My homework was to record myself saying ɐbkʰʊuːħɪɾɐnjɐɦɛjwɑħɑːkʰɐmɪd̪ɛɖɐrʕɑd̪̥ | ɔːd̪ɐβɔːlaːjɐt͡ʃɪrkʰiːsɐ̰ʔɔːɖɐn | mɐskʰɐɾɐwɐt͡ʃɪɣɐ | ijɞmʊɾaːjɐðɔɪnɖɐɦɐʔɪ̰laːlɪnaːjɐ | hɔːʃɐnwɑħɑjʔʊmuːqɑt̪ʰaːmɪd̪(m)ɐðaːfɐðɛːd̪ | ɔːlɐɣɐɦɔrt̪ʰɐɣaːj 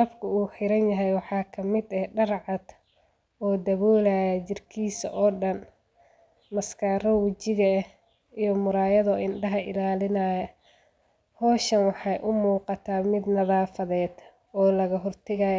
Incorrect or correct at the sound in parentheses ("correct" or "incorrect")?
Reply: incorrect